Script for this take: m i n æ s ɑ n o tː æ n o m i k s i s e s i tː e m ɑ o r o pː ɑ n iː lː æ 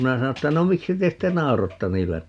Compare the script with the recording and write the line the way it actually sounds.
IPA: m i n æ s ɑ n o tː æ n o m i k s i t e s i tː e n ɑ o r o tː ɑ n iː lː æ